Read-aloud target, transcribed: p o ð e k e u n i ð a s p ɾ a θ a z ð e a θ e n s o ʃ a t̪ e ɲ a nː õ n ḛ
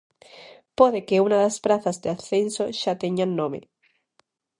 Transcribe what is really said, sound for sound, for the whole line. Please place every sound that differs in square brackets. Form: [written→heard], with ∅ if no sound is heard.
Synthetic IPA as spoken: p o ð e k e u n [i→a] ð a s p ɾ a θ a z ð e a θ e n s o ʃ a t̪ e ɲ a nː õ [n→m] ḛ